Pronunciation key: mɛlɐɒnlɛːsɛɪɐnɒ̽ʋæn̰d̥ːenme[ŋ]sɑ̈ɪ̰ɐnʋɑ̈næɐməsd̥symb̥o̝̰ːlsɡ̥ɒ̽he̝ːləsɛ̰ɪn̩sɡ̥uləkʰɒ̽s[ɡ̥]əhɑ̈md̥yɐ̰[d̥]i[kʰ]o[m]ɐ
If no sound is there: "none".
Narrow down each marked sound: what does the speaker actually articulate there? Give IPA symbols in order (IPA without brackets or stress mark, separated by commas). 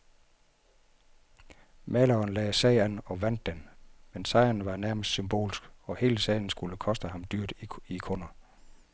n, d̥, d̥, kʰ, n